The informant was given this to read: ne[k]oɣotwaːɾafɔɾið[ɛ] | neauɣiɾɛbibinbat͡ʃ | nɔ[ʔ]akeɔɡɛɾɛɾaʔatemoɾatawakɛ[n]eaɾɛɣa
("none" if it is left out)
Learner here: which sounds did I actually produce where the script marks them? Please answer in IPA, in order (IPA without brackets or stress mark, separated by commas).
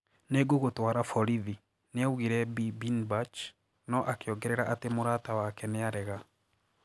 ɡ, i, ʔ, n